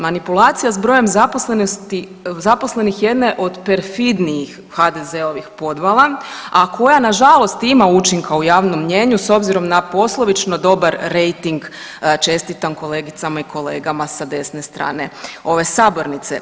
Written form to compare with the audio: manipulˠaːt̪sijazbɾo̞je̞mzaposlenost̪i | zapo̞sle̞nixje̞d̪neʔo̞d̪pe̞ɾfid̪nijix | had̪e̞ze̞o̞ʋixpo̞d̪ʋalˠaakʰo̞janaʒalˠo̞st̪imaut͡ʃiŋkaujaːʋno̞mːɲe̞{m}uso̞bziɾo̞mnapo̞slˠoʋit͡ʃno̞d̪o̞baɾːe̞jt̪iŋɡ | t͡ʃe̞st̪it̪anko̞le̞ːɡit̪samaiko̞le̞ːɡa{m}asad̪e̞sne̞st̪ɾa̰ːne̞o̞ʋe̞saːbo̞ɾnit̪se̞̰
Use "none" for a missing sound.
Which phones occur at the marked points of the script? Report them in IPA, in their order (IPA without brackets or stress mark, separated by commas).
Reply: ɲ, m